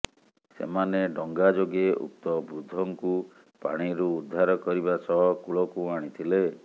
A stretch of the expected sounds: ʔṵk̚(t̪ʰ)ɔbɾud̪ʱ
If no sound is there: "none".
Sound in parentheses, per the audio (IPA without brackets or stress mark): t̪